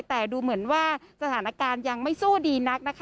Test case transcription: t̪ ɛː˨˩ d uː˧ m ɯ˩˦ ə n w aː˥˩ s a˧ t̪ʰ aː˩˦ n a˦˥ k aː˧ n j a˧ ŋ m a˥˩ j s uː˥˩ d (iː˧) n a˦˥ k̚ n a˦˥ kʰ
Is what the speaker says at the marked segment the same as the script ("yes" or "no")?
yes